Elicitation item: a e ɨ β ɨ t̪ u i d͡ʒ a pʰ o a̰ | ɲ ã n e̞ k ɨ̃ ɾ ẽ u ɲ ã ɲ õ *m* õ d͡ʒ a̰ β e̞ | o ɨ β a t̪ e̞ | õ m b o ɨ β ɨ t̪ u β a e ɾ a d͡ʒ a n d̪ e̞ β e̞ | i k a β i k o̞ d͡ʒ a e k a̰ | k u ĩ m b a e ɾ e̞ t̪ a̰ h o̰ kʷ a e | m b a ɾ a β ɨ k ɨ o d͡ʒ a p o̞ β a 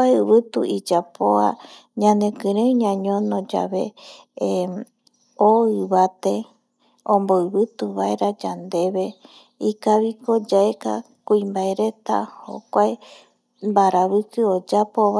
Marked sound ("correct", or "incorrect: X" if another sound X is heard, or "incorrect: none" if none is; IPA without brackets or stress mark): incorrect: n